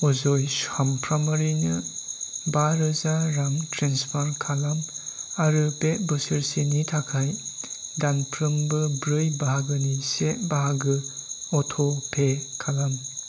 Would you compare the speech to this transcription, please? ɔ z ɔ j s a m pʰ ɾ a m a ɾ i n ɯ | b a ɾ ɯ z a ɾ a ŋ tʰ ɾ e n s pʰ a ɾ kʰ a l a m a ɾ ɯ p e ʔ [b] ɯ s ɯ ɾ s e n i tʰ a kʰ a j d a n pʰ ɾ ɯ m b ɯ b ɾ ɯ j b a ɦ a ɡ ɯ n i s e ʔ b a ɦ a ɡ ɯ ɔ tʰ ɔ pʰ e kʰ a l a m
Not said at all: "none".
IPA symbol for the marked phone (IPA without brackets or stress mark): b